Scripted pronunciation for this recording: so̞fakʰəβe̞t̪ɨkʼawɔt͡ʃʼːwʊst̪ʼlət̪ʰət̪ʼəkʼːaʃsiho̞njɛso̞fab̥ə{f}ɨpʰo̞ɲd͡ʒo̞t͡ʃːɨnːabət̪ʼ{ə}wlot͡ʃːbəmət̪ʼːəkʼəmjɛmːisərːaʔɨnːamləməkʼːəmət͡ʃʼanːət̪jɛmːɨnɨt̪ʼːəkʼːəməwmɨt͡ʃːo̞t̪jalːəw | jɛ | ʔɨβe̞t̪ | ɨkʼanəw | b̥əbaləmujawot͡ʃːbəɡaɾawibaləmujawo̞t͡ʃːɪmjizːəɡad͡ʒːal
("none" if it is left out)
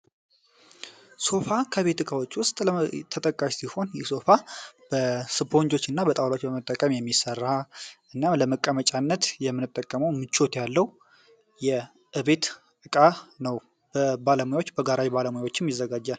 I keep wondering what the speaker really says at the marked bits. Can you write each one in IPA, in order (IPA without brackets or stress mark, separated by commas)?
s, a